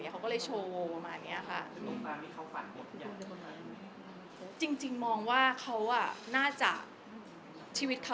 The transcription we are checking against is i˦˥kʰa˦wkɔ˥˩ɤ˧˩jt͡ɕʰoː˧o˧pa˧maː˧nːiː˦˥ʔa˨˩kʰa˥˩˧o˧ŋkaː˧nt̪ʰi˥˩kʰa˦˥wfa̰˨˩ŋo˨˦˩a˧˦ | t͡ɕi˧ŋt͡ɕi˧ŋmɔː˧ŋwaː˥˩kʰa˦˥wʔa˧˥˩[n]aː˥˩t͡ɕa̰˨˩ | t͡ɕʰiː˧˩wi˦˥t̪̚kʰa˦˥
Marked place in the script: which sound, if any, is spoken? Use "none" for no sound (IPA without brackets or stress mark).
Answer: n